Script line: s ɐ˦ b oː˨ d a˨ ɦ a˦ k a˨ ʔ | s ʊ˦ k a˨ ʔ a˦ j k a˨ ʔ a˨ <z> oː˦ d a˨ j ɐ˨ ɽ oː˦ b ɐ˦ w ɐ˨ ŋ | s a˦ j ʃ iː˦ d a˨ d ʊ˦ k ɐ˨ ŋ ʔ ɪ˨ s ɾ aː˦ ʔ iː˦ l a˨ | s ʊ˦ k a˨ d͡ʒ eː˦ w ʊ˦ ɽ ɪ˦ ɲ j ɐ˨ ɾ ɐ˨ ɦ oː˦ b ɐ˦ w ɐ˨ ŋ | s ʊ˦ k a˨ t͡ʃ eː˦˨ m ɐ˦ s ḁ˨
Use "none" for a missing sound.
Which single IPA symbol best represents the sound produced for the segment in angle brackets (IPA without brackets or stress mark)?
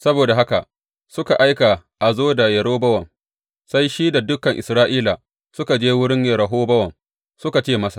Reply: z